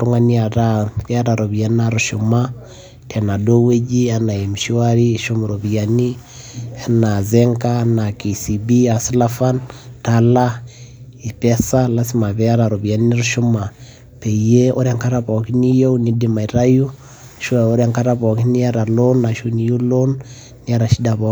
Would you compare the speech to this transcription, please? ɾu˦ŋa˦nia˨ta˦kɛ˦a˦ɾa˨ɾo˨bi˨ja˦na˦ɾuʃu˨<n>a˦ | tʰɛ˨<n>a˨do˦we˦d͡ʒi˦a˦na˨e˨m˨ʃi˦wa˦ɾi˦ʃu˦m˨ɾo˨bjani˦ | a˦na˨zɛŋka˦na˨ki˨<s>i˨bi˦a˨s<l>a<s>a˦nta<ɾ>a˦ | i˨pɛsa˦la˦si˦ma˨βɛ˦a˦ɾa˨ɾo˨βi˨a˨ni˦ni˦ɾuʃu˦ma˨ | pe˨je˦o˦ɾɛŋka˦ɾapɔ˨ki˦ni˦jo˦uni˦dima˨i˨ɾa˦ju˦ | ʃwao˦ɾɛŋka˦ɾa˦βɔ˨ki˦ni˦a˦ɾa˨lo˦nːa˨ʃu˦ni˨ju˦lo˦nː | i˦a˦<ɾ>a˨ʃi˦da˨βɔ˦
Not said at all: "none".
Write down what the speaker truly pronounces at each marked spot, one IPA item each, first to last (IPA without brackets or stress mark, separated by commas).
m, n, s, l, f, l, ɾ